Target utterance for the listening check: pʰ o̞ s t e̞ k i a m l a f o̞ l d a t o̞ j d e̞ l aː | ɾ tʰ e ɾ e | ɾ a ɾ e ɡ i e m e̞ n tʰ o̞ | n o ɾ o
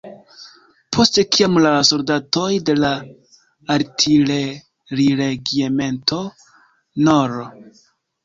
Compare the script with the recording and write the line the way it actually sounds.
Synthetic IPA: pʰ o̞ s t e̞ k i a m l a s o̞ l d a t o̞ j d e̞ l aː | ɾ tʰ i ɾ e | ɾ i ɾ e ɡ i e m e̞ n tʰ o̞ | n o ɾ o